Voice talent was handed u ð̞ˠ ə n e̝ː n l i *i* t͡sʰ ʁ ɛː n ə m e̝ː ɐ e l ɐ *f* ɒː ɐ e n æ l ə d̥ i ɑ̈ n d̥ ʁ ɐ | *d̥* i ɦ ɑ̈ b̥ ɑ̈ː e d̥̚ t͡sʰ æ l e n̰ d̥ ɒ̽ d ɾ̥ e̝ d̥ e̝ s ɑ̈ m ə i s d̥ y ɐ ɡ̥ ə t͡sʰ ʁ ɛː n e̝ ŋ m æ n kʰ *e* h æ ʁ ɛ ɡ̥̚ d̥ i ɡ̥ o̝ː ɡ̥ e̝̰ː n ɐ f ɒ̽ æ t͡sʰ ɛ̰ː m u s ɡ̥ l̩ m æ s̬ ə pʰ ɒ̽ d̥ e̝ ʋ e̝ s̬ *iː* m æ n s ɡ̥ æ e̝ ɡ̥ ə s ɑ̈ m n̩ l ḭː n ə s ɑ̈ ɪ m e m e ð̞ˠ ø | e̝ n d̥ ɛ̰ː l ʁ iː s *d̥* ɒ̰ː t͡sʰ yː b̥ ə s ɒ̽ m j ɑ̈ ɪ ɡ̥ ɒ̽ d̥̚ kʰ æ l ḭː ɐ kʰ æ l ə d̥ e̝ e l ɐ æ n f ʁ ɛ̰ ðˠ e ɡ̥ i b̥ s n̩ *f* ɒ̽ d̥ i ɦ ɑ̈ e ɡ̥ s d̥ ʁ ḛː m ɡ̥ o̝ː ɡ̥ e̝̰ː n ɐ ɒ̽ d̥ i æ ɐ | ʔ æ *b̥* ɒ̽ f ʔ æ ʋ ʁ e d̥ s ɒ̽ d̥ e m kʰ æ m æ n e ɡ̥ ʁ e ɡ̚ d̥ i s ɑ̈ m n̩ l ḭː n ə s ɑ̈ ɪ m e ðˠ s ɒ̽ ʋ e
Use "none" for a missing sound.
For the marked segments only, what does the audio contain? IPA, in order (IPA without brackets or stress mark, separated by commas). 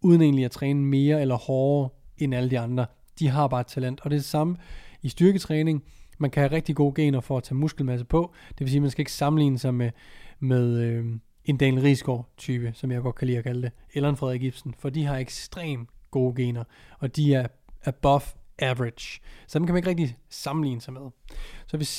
æ, h, d̥, æ, iː, ɡ̥, f, b̥